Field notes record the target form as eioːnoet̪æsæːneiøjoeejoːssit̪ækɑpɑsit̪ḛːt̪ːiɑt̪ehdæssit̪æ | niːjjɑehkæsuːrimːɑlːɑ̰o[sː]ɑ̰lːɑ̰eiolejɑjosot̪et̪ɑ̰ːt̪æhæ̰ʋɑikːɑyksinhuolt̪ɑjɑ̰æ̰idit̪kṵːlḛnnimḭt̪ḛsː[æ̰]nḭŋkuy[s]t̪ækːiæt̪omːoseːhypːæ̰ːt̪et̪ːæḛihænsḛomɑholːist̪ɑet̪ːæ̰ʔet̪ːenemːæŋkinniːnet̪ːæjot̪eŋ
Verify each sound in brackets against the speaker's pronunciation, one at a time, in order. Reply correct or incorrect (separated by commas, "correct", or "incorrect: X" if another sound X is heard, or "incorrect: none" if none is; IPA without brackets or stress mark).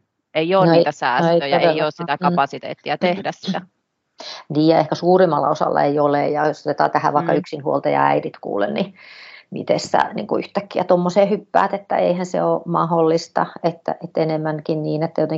incorrect: s, correct, incorrect: h